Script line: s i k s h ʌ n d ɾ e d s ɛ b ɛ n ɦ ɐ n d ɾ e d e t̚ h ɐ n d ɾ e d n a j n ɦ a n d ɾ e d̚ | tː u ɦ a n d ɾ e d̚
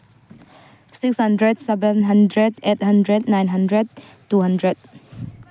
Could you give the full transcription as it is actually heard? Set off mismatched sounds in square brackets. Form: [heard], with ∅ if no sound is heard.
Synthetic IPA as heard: s i k s h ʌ n d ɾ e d s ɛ b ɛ n ɦ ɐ n d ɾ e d e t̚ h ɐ n d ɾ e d n a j n ɦ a n d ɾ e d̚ | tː u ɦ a n d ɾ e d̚